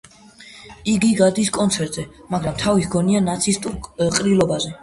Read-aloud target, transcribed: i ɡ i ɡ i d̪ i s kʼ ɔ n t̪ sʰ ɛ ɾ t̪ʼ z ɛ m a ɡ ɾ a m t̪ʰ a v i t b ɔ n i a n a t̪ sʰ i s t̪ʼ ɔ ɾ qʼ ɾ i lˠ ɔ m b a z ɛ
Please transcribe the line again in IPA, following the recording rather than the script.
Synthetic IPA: i ɡ i ɡ a d̪ i s kʼ ɔ n t̪ sʰ ɛ ɾ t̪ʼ z ɛ m a ɡ ɾ a m t̪ʰ a v i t ɡ ɔ n i a n a t̪ sʰ i s t̪ʼ u ɾ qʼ ɾ i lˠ ɔ b a z ɛ

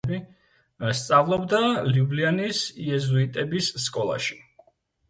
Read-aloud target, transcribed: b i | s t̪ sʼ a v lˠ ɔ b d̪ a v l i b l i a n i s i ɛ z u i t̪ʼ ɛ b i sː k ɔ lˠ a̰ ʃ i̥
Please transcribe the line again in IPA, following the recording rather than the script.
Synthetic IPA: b i | s t̪ sʼ a v lˠ ɔ b d̪ a l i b l i a n i s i ɛ z u i t̪ʼ ɛ b i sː kʼ ɔ lˠ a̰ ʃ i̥

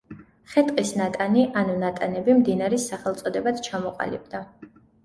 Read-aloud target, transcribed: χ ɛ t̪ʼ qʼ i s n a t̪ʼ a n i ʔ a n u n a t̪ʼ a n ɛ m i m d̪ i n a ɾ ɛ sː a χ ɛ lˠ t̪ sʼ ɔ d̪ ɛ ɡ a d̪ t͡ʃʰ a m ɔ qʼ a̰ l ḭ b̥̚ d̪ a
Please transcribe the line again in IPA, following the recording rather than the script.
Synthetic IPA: χ ɛ t̪ʼ qʼ i s n a t̪ʼ a n i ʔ a n u n a t̪ʼ a n ɛ b i m d̪ i n a ɾ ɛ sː a χ ɛ lˠ t̪ sʼ ɔ d̪ ɛ b a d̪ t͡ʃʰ a m ɔ qʼ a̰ l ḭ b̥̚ d̪ a

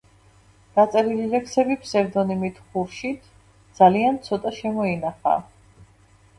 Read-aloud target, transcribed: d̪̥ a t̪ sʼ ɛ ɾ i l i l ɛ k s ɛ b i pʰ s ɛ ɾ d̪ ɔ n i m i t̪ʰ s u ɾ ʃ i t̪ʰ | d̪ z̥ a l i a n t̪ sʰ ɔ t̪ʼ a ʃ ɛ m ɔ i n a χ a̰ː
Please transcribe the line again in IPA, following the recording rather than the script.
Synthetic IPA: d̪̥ a t̪ sʼ ɛ ɾ i l i l ɛ k s ɛ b i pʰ s ɛ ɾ d̪ ɔ n i m i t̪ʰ χ u ɾ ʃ i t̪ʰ | d̪ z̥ a l i a n t̪ sʰ ɔ t̪ʼ a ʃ ɛ m ɔ i n a χ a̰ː

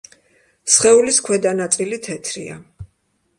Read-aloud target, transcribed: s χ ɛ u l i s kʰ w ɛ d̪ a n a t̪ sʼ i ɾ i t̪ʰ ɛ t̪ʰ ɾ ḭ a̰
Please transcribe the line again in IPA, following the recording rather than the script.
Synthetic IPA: s χ ɛ u l i s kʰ w ɛ d̪ a n a t̪ sʼ i l i t̪ʰ ɛ t̪ʰ ɾ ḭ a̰

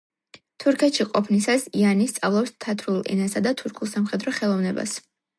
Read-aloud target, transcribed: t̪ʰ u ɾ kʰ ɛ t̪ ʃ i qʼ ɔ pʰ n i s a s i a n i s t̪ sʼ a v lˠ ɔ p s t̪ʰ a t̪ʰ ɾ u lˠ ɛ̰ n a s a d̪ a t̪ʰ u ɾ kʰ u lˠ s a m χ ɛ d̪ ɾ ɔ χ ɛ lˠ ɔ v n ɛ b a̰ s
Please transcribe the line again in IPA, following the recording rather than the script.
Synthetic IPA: t̪ʰ u ɾ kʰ ɛ t̪ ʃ i qʼ ɔ pʰ n i s a s i a n i s t̪ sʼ a v lˠ ɔ p s t̪ʰ a t̪ʰ ɾ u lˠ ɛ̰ n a s a d̪ a t̪ʰ u ɾ kʰ u lˠ s a m χ ɛ d̪ ɾ ɔ χ ɛ lˠ ɔ v n ɛ b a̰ s

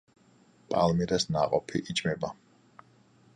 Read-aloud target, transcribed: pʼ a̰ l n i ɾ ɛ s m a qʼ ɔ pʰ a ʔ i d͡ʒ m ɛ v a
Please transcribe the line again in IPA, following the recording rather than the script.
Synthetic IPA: pʼ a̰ l m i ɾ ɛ s n a qʼ ɔ pʰ i ʔ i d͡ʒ m ɛ b a

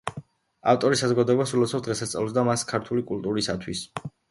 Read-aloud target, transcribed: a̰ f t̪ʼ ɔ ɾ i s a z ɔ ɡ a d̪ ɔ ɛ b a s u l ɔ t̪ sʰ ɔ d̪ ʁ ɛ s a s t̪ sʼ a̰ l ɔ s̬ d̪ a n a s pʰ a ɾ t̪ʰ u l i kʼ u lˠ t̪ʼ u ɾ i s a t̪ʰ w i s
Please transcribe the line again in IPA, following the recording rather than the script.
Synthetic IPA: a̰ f t̪ʼ ɔ ɾ i s a z ɔ ɡ a d̪ ɔ ɛ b a s u l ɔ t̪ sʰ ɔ d̪ ʁ ɛ s a s t̪ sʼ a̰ l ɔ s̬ d̪ a m a s kʰ a ɾ t̪ʰ u l i kʼ u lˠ t̪ʼ u ɾ i s a t̪ʰ w i s

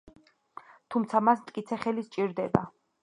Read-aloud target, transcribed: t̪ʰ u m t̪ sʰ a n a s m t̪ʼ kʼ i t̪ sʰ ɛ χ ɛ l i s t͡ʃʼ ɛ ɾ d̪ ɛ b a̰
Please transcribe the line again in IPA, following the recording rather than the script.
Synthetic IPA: t̪ʰ u m t̪ sʰ a m a s m t̪ʼ kʼ i t̪ sʰ ɛ χ ɛ l i s t͡ʃʼ i ɾ d̪ ɛ b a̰

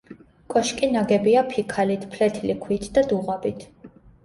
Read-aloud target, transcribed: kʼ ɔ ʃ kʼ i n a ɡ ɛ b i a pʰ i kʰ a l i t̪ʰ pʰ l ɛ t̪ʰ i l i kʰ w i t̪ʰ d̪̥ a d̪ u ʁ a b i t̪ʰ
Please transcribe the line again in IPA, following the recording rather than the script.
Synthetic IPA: kʼ ɔ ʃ kʼ i n a ɡ ɛ b i a pʰ i kʰ a l i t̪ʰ pʰ l ɛ t̪ʰ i l i kʰ w i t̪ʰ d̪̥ a d̪ u ʁ a b i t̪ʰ

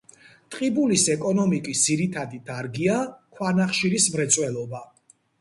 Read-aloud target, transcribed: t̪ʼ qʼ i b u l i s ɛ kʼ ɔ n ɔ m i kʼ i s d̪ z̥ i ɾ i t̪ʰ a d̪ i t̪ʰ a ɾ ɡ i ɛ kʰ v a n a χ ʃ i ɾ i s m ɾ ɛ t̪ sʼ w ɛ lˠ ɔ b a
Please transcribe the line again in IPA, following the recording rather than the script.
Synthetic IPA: t̪ʼ qʼ i b u l i s ɛ kʼ ɔ n ɔ m i kʼ i s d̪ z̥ i ɾ i t̪ʰ a d̪ i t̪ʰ a ɾ ɡ i a kʰ w a n a χ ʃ i ɾ i s m ɾ ɛ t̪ sʼ w ɛ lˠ ɔ b a

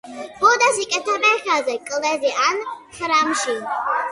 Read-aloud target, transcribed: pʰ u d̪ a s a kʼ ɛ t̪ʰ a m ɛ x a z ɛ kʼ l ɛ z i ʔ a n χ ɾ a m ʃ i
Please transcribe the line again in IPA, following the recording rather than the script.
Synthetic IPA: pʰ ɔ d̪ a s i kʼ ɛ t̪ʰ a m ɛ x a z ɛ kʼ l ɛ z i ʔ a n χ ɾ a m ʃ i

